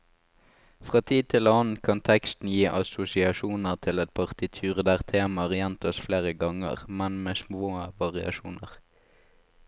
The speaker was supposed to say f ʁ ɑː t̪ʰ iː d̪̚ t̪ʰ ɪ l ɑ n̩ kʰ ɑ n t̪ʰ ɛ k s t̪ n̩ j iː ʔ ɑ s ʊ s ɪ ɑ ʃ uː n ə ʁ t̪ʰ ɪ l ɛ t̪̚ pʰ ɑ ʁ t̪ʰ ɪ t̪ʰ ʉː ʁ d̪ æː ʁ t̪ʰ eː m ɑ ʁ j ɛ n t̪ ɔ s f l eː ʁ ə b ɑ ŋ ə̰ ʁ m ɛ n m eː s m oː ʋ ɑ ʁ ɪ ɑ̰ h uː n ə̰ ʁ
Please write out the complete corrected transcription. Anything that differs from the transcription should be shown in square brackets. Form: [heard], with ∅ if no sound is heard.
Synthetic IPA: f ʁ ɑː t̪ʰ iː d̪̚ t̪ʰ ɪ l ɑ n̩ kʰ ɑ n t̪ʰ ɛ k s t̪ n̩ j iː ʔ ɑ s ʊ s ɪ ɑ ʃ uː n ə ʁ t̪ʰ ɪ l ɛ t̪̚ pʰ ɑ ʁ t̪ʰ ɪ t̪ʰ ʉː ʁ d̪ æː ʁ t̪ʰ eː m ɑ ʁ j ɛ n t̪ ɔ s f l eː ʁ ə [ɡ] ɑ ŋ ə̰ ʁ m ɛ n m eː s m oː ʋ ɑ ʁ ɪ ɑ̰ [ʃ] uː n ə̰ ʁ